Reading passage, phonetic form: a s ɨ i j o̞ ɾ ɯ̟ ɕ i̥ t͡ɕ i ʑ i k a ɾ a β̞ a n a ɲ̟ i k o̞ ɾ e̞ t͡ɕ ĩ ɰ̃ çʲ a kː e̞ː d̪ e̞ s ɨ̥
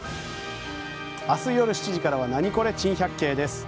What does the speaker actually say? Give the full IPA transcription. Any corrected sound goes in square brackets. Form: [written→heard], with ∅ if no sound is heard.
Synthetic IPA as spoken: a s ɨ i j o̞ ɾ ɯ̟ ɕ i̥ t͡ɕ i ʑ i k a ɾ a β̞ a n a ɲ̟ i k o̞ ɾ e̞ t͡ɕ ĩ ɰ̃ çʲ a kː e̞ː d̪ e̞ s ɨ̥